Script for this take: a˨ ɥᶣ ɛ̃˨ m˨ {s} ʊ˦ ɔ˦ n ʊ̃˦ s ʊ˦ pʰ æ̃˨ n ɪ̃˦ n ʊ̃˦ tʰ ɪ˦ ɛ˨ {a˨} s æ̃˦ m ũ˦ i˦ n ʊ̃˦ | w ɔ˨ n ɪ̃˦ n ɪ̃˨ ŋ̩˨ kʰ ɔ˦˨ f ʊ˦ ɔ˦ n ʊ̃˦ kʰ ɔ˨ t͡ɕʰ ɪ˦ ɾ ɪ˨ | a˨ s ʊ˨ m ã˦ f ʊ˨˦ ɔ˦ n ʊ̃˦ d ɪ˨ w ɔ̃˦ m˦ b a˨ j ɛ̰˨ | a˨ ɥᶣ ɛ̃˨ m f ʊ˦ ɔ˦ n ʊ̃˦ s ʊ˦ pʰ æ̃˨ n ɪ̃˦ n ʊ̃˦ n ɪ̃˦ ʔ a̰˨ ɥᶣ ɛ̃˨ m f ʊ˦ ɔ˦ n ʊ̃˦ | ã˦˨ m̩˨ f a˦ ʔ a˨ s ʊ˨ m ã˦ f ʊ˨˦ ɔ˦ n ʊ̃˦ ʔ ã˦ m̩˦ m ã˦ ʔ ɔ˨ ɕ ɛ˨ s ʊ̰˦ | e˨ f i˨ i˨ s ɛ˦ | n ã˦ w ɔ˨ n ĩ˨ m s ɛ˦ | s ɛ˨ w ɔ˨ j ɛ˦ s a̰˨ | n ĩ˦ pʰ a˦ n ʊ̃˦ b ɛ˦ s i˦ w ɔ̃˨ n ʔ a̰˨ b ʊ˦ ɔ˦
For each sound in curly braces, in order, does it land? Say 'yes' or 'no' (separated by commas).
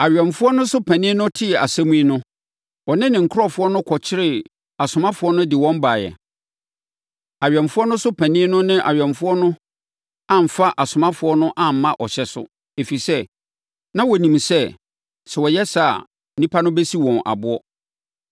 no, yes